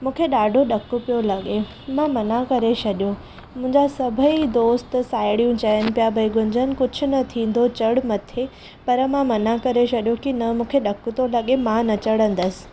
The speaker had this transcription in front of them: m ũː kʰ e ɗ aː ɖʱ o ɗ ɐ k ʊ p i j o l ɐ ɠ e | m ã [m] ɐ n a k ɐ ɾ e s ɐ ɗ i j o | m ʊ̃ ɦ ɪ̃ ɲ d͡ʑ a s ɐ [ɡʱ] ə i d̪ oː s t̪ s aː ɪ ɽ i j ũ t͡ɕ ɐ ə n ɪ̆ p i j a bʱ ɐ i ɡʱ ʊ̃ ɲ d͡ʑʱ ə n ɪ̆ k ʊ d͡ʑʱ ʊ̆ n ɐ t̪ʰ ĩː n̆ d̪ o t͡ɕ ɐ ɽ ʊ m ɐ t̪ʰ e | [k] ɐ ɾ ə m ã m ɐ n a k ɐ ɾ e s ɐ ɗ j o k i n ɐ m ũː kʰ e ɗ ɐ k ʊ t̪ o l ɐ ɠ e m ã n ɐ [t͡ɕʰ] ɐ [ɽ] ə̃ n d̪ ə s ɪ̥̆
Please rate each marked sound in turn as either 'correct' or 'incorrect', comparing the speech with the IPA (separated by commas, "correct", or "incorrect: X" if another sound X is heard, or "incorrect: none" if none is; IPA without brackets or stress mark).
correct, incorrect: bʱ, incorrect: p, incorrect: t͡ɕ, correct